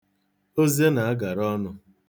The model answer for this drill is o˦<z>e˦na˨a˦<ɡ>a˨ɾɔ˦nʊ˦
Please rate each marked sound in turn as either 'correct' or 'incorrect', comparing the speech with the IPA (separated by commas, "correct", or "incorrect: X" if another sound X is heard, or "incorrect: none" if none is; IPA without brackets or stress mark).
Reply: correct, correct